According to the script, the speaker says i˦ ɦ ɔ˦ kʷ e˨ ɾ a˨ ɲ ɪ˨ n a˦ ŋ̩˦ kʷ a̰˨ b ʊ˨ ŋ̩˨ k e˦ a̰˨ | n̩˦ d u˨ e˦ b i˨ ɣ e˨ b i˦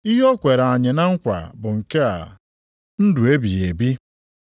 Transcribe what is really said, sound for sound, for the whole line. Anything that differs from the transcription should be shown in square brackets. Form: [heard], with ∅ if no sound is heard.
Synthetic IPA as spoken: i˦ ɦ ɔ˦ kʷ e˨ ɾ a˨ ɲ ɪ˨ n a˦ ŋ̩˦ kʷ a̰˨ b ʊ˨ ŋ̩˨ k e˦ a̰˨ | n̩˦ d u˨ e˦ b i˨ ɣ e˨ b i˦